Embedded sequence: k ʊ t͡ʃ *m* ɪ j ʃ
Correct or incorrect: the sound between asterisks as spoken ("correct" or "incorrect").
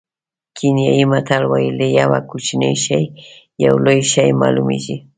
incorrect